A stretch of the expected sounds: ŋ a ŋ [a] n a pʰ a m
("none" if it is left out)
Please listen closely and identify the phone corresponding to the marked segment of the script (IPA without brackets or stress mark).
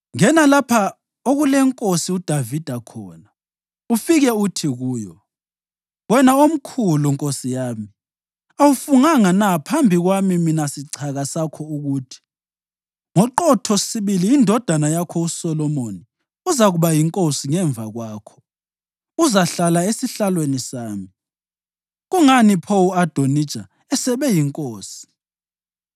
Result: a